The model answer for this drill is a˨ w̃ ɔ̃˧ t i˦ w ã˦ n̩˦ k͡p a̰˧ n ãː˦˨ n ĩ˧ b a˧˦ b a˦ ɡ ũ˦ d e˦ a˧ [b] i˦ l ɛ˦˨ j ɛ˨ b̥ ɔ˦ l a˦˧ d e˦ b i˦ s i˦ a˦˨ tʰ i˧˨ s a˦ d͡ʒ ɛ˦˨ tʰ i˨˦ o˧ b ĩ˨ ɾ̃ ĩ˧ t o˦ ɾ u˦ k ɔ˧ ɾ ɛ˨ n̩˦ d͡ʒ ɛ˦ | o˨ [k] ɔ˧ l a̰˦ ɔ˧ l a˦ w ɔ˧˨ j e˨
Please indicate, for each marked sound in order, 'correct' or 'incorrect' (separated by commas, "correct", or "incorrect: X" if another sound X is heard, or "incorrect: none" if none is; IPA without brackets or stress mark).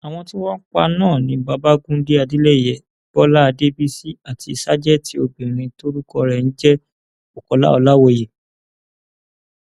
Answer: incorrect: d, correct